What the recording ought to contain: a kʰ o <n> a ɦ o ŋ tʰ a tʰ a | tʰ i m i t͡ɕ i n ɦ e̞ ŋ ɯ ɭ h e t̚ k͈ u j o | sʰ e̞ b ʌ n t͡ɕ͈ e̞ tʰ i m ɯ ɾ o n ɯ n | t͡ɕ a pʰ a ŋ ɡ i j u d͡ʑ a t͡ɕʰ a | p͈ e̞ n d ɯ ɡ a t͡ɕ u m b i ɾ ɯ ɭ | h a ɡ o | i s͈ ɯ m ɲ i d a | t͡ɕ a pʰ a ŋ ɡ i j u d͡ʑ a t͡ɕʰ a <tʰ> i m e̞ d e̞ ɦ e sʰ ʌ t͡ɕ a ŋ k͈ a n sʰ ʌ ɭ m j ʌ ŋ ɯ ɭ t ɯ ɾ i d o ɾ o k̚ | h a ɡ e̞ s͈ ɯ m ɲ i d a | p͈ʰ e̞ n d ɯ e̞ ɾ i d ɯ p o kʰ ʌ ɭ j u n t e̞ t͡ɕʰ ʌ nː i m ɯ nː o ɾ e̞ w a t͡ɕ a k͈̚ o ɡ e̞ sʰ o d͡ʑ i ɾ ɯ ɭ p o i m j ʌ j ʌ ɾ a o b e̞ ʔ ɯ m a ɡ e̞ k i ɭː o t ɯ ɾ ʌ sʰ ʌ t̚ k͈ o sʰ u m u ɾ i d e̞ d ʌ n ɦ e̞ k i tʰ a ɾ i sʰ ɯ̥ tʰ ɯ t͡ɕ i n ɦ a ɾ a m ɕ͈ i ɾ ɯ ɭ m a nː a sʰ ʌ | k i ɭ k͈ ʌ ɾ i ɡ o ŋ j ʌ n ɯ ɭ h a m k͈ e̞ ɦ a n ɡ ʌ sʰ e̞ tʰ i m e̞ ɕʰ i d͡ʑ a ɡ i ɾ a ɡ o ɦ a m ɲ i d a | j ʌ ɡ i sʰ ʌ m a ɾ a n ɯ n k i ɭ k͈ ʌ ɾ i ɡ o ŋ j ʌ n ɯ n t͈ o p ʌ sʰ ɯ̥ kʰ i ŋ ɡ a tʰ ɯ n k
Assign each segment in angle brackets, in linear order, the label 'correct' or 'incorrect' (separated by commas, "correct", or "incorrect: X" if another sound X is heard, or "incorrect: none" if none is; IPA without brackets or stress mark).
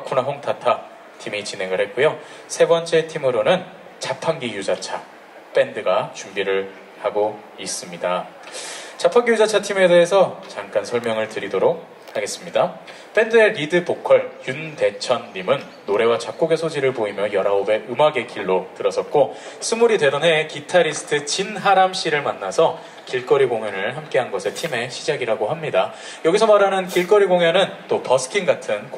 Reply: correct, correct